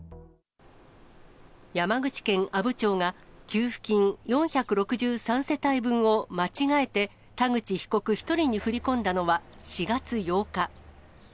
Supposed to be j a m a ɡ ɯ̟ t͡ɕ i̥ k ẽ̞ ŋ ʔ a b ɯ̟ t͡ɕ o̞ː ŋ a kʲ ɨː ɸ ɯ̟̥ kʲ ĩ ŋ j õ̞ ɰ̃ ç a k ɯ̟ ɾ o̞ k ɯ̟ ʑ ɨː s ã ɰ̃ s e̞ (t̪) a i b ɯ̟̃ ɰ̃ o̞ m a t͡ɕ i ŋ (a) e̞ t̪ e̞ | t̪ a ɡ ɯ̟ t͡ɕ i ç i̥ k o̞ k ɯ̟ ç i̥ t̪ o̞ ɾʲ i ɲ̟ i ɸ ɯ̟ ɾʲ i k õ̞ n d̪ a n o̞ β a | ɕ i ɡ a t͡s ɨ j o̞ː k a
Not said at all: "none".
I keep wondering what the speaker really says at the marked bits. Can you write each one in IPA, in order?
t̪, a

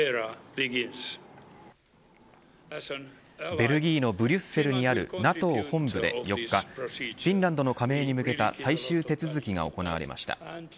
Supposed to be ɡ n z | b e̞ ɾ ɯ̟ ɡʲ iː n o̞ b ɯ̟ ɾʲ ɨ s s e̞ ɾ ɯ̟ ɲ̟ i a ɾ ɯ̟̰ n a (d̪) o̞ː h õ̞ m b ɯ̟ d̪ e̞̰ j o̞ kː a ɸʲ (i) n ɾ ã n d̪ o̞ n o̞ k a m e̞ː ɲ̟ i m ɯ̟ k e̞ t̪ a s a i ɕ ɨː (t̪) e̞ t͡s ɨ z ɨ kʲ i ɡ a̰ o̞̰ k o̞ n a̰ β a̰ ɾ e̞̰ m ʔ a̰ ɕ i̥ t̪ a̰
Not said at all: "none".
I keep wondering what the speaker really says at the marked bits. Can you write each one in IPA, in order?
t̪, ĩ, t̪

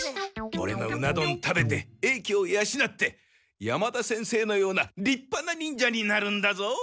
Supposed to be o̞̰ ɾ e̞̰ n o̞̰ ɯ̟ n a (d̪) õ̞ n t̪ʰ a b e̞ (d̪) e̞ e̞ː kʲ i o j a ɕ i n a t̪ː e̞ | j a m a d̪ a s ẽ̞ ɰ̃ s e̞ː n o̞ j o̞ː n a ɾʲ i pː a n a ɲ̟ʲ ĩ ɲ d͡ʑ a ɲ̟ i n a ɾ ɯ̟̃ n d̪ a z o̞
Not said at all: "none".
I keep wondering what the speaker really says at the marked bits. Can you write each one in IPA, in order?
d̪, t̪

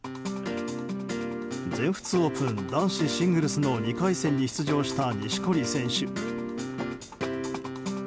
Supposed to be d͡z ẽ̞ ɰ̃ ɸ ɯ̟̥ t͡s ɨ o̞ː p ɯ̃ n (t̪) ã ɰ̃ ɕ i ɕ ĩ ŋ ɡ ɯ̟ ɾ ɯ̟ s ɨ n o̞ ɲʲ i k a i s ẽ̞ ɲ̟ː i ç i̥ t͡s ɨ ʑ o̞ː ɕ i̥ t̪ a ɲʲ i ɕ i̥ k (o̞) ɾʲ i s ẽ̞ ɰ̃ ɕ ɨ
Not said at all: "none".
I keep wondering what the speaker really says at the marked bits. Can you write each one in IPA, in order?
d̪, o̞

